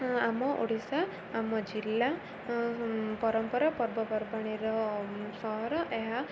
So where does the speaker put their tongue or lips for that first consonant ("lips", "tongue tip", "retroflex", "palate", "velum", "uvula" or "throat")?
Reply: lips